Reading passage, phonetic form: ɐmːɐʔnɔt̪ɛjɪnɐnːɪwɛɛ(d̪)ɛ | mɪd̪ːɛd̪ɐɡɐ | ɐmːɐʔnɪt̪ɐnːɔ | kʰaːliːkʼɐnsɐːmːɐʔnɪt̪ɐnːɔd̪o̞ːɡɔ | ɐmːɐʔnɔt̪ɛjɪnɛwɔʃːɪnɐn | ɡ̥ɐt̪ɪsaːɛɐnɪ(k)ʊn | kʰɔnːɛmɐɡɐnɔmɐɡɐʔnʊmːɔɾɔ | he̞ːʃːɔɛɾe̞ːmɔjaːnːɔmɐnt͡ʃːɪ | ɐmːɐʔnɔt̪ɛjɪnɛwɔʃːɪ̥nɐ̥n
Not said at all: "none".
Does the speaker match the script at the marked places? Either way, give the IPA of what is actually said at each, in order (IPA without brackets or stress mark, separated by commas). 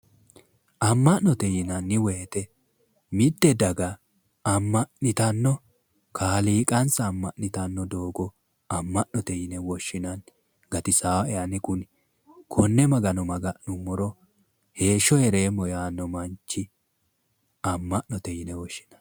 t̪, k